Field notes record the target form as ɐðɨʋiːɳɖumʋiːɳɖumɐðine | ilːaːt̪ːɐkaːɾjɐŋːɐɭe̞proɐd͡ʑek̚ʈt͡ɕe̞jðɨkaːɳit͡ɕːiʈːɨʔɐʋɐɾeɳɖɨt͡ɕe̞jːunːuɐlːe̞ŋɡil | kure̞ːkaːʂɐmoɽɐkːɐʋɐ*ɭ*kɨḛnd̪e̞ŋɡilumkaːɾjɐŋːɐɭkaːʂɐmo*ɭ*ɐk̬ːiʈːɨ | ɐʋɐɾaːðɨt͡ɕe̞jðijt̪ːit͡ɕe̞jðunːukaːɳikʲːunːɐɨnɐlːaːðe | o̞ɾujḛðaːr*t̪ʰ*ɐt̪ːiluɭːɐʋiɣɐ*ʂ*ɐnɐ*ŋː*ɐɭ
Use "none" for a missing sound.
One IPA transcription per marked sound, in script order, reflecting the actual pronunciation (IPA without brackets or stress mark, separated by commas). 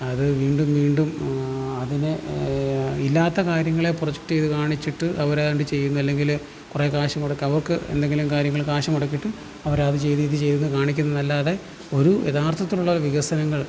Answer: r, ɽ, t̪ʰ, s, ŋː